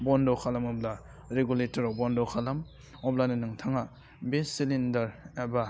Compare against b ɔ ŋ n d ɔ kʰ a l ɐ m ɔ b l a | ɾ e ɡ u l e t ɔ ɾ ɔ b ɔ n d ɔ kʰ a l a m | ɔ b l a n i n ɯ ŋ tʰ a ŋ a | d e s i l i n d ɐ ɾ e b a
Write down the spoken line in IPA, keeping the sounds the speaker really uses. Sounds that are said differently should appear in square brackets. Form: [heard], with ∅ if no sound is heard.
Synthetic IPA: b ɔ [∅] n d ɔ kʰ a l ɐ m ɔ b l a | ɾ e ɡ u l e t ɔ ɾ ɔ b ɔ n d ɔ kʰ a l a m | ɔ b l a n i n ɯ ŋ tʰ a ŋ a | [b] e s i l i n d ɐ ɾ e b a